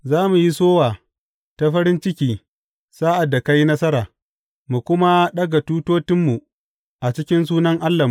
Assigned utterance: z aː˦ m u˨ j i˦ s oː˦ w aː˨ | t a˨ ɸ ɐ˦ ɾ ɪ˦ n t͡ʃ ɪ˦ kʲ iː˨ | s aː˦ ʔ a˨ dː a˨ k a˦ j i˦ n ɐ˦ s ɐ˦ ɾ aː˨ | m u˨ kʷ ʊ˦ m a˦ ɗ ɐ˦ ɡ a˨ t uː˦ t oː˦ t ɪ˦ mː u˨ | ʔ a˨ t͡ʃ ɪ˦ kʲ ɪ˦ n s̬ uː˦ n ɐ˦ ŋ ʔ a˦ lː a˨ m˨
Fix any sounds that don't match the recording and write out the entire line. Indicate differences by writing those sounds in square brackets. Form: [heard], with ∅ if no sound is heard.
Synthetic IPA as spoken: z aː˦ m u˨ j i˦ s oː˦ w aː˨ | t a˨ ɸ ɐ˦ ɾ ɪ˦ n t͡ʃ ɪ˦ kʲ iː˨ | s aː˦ ʔ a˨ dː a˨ k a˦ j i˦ n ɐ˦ s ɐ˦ ɾ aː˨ | m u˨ kʷ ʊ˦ m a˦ ɗ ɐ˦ ɡ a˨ t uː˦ t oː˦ t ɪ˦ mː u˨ | ʔ a˨ t͡ʃ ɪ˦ kʲ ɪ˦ n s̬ uː˦ n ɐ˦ ŋ ʔ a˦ lː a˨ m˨